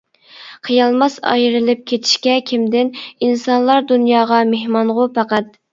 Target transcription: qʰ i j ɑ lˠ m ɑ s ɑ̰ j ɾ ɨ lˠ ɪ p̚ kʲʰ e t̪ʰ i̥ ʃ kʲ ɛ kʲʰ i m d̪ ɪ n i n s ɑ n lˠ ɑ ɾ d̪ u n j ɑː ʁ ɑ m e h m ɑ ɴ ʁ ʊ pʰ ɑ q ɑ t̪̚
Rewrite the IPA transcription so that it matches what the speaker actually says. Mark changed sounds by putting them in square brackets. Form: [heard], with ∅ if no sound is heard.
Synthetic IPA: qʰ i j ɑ lˠ m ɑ s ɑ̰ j ɾ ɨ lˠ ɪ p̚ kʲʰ e t̪ʰ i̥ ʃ kʲ ɛ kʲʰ i m d̪ ɪ n i n s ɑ n lˠ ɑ ɾ d̪ u n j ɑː ʁ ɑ m e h m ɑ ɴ ʁ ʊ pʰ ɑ q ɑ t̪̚